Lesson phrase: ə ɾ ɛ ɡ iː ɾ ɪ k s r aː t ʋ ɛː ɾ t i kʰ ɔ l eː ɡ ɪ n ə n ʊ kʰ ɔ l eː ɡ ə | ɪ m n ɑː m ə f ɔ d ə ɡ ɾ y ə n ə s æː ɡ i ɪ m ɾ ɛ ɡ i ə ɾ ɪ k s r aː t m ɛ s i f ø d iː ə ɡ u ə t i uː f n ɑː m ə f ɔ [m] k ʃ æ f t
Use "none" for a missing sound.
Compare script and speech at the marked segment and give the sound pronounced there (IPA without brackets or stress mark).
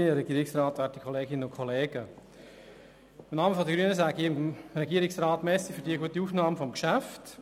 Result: m